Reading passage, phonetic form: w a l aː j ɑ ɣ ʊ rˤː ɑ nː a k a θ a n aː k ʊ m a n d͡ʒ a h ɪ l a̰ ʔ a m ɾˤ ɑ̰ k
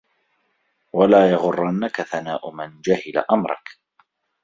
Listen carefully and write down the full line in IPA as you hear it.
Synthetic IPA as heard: w a l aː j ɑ ɣ ʊ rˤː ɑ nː a k a θ a n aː ʔ ʊ m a n d͡ʒ a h ɪ l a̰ ʔ a m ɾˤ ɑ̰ k